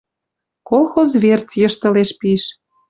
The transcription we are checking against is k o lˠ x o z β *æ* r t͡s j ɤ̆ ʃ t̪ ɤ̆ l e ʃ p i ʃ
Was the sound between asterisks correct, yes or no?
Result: no